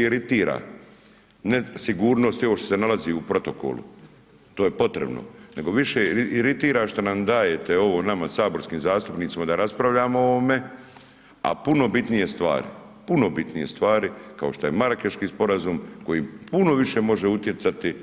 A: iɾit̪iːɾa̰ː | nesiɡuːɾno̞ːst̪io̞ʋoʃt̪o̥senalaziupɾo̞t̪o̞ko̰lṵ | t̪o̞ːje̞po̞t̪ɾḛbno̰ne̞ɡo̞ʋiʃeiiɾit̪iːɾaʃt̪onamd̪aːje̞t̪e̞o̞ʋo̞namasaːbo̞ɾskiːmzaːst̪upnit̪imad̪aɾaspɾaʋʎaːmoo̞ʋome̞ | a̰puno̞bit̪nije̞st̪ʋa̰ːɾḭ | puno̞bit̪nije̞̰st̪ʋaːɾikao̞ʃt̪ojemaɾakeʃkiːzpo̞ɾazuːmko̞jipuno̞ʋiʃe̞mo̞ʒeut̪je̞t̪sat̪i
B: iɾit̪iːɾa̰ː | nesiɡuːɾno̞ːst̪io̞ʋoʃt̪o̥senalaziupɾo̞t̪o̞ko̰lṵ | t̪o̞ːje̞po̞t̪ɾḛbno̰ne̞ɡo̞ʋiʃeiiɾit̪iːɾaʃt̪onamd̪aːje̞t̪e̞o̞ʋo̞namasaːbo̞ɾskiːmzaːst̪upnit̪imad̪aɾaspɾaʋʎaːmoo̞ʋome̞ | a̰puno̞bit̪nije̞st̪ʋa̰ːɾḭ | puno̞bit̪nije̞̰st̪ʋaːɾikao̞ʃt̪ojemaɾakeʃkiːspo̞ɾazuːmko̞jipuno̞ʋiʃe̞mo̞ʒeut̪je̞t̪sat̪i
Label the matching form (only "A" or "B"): B